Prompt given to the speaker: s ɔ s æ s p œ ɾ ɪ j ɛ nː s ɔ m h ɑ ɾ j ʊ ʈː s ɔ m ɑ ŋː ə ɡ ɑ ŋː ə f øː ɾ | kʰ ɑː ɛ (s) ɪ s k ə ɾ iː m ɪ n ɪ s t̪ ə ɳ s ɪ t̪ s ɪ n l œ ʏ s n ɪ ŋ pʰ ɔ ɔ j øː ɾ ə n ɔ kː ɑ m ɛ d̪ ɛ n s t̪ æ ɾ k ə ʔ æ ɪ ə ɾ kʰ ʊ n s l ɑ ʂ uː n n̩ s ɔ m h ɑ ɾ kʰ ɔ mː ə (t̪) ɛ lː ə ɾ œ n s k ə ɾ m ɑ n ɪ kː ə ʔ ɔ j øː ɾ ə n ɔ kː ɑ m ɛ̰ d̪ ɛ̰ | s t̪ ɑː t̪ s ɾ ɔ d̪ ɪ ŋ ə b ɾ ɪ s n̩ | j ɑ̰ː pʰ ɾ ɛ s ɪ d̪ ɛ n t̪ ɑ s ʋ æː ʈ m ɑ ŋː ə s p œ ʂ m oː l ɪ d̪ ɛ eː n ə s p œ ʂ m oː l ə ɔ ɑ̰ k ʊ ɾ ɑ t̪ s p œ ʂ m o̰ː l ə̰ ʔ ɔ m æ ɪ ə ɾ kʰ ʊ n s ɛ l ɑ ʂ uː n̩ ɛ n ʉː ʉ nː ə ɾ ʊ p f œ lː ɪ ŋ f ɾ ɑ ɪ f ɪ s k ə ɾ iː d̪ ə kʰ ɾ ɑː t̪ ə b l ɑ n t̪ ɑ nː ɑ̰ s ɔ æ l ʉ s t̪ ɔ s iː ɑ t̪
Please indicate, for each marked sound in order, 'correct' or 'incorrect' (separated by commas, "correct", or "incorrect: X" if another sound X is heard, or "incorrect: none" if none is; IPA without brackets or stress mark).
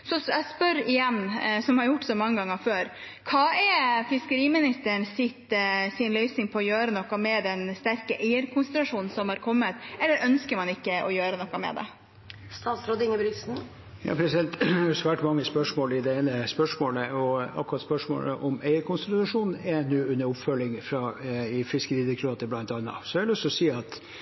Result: incorrect: f, correct